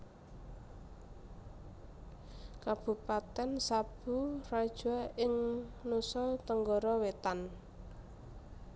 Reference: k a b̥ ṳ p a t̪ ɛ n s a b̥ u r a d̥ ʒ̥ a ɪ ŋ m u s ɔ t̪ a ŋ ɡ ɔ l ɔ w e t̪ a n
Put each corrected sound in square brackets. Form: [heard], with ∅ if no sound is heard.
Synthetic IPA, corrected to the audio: k a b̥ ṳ p a t̪ ɛ n s a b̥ u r a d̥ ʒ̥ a ɪ ŋ [n] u s ɔ t̪ [ə] ŋ ɡ ɔ [ɾ] ɔ w e t̪ a n